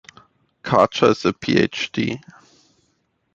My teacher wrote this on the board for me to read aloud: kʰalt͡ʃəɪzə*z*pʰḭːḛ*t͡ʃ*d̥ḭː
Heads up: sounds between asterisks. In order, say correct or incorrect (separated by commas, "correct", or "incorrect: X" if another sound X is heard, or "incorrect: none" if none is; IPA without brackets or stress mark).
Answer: incorrect: none, correct